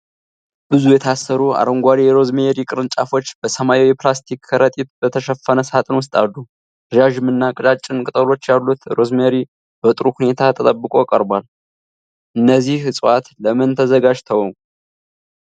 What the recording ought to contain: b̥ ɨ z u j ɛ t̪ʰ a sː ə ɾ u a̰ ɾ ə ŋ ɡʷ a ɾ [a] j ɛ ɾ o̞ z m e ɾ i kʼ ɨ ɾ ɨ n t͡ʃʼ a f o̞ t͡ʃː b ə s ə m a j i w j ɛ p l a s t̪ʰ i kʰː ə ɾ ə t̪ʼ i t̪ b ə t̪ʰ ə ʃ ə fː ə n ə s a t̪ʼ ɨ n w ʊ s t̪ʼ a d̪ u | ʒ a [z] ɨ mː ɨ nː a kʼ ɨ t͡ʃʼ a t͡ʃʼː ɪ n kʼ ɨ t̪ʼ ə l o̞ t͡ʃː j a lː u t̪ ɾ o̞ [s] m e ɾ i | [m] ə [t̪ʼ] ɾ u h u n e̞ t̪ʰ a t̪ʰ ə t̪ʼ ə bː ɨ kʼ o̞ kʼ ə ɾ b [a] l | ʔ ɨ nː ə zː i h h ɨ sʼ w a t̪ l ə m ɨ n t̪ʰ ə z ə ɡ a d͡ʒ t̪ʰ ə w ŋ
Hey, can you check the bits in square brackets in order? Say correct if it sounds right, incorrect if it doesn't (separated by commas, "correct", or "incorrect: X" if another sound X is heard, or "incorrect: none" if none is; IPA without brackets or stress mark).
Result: incorrect: i, incorrect: ʒ, incorrect: z, incorrect: b, correct, correct